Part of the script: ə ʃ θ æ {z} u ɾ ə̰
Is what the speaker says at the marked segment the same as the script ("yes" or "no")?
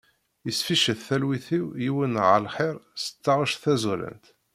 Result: yes